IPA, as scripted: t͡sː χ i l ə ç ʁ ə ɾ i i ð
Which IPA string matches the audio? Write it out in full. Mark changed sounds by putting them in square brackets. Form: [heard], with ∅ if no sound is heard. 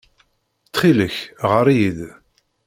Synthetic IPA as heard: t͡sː χ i l ə ç ʁ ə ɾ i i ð